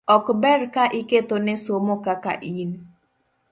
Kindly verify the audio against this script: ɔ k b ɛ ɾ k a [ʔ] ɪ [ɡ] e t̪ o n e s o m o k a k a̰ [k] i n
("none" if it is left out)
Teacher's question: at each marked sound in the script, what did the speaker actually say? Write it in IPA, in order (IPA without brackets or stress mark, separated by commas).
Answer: ʔ, k, ʔ